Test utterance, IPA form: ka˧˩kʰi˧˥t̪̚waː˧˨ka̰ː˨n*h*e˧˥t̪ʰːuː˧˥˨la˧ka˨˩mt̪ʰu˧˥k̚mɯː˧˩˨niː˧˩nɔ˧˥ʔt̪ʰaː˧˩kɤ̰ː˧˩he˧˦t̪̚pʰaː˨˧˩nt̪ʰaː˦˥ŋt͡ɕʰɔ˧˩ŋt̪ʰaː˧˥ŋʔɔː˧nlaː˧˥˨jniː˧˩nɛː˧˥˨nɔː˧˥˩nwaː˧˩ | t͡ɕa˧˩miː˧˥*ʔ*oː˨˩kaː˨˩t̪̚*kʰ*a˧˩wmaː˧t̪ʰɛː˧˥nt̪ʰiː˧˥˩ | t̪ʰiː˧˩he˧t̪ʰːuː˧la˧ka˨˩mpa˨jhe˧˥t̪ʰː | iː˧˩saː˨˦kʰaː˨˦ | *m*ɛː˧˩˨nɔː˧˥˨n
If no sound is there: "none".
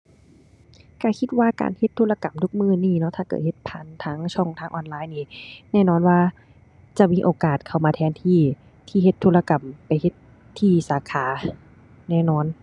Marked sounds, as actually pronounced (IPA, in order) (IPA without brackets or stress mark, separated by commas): h, ʔ, kʰ, n